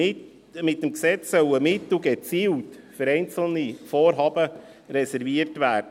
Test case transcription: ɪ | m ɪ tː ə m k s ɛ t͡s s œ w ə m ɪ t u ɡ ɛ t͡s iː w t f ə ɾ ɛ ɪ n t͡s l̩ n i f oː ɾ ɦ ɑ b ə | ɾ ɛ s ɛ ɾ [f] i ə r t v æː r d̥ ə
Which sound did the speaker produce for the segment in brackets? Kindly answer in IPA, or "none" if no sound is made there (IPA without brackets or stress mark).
v